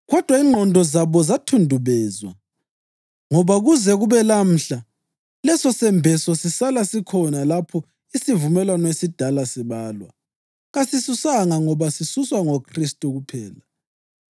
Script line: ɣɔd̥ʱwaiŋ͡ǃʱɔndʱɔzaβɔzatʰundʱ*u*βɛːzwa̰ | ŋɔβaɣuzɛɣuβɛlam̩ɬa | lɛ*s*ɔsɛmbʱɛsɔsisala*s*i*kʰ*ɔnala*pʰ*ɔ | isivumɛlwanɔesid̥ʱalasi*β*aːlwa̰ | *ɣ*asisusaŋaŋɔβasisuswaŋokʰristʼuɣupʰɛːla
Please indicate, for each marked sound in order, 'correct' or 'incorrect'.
correct, correct, correct, correct, correct, correct, correct

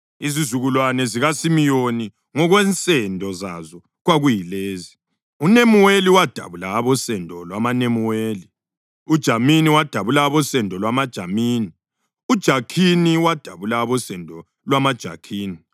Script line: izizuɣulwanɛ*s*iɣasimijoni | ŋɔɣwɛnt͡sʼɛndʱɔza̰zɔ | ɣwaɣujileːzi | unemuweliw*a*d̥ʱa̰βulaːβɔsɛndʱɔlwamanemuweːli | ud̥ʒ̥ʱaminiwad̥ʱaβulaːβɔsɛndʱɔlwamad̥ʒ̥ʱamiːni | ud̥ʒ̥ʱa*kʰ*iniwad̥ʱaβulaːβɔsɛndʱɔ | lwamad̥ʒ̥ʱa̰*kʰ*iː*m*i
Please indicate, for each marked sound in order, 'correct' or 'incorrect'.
incorrect: z, correct, correct, correct, incorrect: n

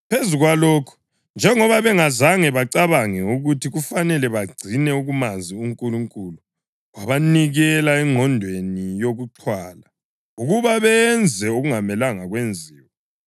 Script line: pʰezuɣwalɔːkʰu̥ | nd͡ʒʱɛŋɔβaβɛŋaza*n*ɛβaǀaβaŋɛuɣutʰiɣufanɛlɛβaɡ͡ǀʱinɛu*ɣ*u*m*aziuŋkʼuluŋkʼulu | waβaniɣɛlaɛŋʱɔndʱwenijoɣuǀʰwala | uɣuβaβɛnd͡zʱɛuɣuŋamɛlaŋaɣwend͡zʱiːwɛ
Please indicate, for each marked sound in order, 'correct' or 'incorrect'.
incorrect: ŋ, correct, correct

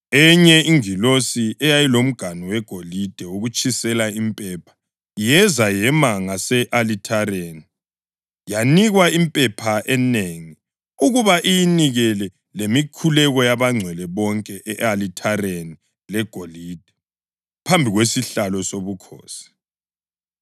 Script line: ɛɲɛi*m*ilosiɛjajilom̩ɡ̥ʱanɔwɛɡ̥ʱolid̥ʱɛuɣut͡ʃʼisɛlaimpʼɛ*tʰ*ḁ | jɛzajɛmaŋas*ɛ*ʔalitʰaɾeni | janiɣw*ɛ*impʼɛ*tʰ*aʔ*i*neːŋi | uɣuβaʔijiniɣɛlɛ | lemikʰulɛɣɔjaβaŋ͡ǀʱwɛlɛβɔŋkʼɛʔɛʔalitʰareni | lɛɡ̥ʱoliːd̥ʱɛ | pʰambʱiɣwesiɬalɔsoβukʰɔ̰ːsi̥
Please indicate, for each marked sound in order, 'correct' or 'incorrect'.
incorrect: ŋ, incorrect: pʰ, correct, incorrect: a, incorrect: pʰ, incorrect: ɛ

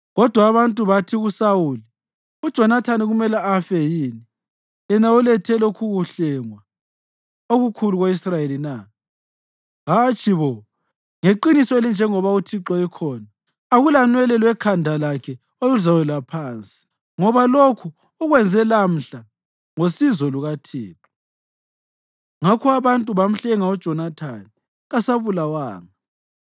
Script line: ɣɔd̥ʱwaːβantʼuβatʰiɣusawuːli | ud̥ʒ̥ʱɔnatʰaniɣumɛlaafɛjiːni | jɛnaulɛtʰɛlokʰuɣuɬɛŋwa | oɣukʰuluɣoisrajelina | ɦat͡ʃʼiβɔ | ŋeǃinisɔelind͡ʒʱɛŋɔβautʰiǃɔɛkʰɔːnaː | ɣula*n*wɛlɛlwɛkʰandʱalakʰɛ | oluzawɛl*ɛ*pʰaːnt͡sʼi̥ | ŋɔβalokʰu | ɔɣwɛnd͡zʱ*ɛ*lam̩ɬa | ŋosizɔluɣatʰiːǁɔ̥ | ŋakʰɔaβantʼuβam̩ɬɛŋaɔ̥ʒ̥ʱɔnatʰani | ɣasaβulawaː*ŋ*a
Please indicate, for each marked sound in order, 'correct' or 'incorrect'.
correct, incorrect: a, correct, correct

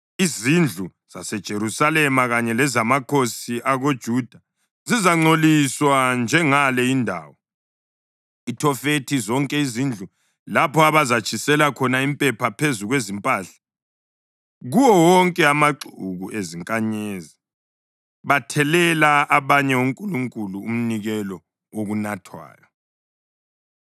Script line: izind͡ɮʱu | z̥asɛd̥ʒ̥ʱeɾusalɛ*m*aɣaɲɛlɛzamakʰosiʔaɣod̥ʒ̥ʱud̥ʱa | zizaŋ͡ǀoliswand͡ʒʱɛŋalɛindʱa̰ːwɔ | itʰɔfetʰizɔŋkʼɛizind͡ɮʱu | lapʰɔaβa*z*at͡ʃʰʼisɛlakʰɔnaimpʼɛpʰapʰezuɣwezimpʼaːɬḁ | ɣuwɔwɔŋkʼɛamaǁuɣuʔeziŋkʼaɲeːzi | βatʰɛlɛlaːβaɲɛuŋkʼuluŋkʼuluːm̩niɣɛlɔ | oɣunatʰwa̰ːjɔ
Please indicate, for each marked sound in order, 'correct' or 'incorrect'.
correct, correct

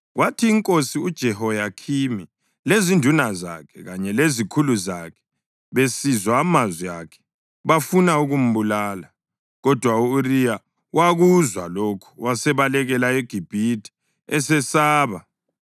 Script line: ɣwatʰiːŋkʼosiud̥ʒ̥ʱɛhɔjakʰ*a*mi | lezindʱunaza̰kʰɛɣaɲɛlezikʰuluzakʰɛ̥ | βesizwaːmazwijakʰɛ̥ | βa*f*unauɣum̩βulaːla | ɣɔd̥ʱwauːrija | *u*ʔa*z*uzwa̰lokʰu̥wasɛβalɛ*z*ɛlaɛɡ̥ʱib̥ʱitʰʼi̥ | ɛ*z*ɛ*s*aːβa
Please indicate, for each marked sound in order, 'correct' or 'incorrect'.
incorrect: i, correct, incorrect: w, incorrect: ɣ, incorrect: ɣ, incorrect: s, correct

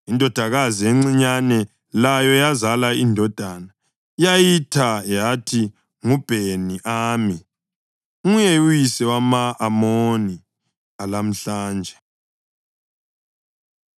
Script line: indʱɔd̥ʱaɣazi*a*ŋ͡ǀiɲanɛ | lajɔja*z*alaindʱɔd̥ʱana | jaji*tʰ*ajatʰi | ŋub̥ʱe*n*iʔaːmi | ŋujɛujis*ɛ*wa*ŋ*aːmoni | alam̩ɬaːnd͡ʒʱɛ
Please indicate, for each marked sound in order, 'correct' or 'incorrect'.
incorrect: e, correct, correct, correct, correct, incorrect: m

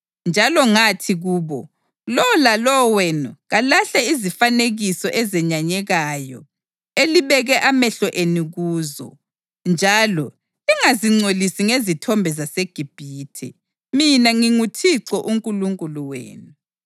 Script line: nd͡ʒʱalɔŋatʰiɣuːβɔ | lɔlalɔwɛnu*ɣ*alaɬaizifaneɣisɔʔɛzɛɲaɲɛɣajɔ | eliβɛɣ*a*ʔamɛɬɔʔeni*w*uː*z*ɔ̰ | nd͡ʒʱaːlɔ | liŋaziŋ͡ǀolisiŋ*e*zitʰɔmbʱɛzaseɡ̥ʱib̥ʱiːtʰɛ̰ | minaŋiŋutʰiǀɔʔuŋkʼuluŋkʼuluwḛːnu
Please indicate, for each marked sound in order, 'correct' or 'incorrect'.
correct, incorrect: ɛ, incorrect: ɣ, correct, correct

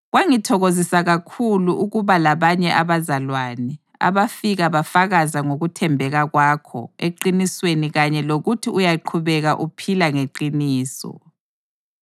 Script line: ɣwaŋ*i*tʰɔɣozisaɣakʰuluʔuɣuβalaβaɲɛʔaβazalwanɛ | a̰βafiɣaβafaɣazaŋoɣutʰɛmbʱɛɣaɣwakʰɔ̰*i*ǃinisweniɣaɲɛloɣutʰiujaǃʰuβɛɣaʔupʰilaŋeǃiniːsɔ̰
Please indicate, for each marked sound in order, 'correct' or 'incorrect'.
correct, incorrect: e

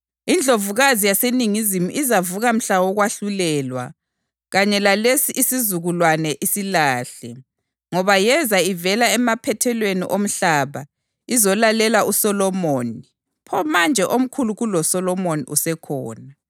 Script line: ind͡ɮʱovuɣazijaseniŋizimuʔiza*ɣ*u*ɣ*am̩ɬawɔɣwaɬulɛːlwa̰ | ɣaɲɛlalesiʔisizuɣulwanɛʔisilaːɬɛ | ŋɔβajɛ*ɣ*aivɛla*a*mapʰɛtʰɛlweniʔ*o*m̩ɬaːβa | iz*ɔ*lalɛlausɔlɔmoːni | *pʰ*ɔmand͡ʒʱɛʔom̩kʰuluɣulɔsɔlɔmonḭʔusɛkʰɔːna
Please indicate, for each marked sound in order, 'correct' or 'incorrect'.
incorrect: v, correct, incorrect: z, incorrect: ɛ, correct, correct, correct

